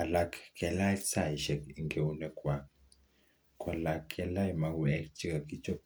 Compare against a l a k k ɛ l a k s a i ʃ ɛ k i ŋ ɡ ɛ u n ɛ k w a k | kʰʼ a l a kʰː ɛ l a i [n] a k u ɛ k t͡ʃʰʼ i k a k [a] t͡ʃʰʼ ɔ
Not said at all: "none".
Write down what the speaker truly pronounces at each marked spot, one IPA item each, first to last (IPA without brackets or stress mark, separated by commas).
m, i